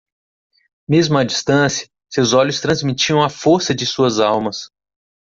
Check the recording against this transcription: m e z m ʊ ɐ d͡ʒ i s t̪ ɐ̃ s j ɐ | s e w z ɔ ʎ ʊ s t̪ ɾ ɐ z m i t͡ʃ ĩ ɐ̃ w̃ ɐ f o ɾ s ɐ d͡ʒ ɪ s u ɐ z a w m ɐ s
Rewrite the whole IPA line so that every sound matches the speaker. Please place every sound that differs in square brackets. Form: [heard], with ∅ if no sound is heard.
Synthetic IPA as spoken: m e z m ʊ ɐ d͡ʒ i s t̪ ɐ̃ s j ɐ | s e w z ɔ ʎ ʊ s t̪ ɾ [ɐ̃] z m i t͡ʃ [i] ɐ̃ w̃ ɐ f o ɾ s ɐ d͡ʒ ɪ s u ɐ z a w m ɐ s